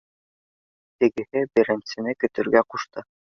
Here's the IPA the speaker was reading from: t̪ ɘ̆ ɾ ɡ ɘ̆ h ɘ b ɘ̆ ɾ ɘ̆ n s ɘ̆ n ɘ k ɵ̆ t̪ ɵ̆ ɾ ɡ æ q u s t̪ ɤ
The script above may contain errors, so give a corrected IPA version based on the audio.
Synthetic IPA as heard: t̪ ɘ̆ ɡ ɘ̆ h ɘ b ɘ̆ ɾ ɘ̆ n s ɘ̆ n ɘ k ɵ̆ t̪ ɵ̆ ɾ ɡ æ q u ʃ t̪ ɤ